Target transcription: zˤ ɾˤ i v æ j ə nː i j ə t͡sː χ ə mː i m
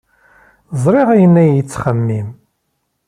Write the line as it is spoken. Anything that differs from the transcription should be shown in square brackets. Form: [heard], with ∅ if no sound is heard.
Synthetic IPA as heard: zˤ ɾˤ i [ʁ] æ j ə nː [æ] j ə t͡sː χ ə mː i m